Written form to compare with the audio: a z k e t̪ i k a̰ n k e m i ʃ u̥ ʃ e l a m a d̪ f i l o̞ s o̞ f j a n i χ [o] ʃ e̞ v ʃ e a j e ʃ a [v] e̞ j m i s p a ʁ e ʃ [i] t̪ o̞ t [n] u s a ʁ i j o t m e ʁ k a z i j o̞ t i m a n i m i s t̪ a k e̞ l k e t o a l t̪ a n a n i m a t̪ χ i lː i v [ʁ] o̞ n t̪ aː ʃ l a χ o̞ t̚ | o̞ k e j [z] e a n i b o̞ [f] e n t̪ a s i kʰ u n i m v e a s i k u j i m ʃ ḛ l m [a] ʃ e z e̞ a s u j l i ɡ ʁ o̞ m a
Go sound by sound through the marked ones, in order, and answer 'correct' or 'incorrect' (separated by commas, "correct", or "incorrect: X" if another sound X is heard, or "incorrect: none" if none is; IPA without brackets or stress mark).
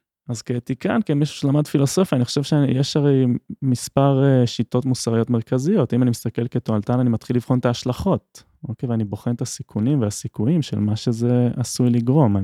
correct, incorrect: ʁ, correct, incorrect: m, incorrect: χ, incorrect: v, incorrect: χ, correct